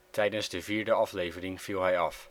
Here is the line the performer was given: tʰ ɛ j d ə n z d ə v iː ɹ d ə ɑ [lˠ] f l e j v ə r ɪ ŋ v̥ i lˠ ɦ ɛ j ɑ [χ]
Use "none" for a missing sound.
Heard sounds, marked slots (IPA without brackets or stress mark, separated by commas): none, f